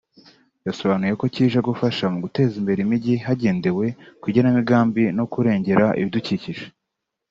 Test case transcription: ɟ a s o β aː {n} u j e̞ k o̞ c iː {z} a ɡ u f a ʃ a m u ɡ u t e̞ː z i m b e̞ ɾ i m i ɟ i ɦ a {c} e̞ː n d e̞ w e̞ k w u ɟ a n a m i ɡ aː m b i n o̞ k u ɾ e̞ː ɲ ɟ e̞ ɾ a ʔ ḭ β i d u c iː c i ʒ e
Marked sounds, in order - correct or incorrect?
correct, incorrect: ʒ, incorrect: ɟ

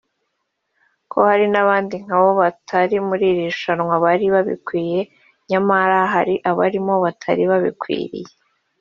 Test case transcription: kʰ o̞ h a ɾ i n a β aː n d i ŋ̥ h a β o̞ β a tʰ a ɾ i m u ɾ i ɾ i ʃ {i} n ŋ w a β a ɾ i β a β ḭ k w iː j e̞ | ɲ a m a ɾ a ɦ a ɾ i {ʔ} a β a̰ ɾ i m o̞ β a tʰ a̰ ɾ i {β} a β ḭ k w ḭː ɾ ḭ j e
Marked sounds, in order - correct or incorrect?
incorrect: a, correct, correct

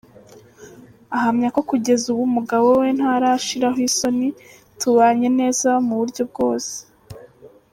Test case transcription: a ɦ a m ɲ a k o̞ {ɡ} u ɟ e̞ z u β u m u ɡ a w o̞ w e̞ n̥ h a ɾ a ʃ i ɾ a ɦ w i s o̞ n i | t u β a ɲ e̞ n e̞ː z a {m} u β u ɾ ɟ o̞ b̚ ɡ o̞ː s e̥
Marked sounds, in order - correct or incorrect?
incorrect: k, correct

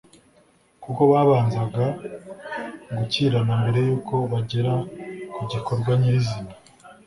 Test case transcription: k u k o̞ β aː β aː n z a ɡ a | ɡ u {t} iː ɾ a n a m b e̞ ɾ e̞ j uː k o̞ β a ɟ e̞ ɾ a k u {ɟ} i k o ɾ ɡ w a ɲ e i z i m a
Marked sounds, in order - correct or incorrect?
incorrect: c, correct

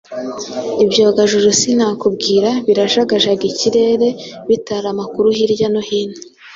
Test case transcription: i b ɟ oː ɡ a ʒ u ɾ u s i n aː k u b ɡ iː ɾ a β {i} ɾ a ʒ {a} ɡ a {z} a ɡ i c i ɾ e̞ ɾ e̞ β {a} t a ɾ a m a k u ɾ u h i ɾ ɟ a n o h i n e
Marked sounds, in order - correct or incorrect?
correct, correct, incorrect: ʒ, incorrect: i

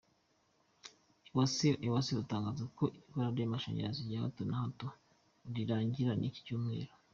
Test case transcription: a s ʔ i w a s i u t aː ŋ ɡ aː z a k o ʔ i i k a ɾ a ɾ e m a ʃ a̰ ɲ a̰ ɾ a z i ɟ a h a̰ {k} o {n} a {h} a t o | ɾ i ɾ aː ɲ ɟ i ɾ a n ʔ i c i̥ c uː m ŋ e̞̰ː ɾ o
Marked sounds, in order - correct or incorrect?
incorrect: t, correct, correct

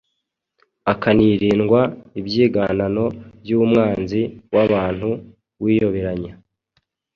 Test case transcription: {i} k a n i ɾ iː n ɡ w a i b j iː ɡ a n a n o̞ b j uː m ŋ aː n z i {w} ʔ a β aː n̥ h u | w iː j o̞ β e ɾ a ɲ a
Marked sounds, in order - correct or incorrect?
incorrect: a, correct

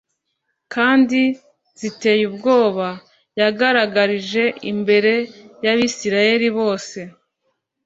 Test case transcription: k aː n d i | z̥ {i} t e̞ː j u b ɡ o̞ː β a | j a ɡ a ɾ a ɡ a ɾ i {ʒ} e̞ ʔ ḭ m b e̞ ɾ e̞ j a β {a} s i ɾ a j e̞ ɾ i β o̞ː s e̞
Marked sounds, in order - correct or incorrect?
correct, correct, incorrect: i

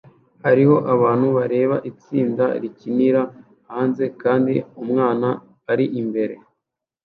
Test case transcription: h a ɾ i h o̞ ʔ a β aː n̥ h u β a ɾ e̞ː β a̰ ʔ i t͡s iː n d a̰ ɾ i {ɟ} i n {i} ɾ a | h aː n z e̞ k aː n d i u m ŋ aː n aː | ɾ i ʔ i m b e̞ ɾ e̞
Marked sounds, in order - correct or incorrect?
incorrect: c, correct

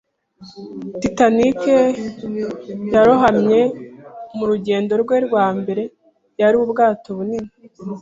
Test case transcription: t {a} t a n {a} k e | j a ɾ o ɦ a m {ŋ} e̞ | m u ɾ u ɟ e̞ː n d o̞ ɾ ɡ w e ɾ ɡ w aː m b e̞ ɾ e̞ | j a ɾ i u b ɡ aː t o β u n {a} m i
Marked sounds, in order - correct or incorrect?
incorrect: i, incorrect: i, incorrect: ɲ, incorrect: i

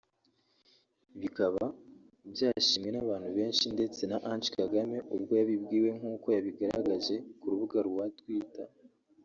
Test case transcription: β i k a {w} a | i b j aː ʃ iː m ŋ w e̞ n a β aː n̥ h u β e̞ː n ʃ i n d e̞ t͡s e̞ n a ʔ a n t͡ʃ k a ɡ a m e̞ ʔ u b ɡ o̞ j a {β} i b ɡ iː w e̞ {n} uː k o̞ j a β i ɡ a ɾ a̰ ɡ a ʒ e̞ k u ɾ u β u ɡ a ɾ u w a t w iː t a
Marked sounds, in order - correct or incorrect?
incorrect: β, correct, incorrect: ŋ

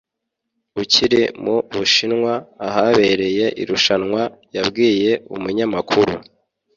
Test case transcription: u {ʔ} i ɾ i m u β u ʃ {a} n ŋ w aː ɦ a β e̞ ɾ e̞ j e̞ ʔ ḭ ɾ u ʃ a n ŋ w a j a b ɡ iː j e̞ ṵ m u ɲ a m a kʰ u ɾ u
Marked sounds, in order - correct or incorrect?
incorrect: c, incorrect: i

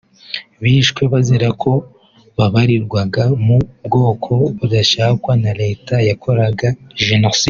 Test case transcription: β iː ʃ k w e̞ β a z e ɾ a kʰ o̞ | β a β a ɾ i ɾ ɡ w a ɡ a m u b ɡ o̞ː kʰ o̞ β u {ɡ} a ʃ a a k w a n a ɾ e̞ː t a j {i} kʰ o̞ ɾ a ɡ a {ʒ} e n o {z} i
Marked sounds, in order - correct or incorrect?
incorrect: d, incorrect: a, correct, incorrect: s

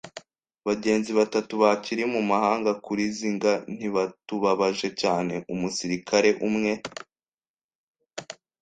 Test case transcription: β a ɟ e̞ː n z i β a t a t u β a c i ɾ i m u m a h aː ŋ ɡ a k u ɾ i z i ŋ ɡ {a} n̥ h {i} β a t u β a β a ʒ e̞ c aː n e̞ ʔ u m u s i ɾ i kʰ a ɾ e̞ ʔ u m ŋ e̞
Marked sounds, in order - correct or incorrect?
correct, correct

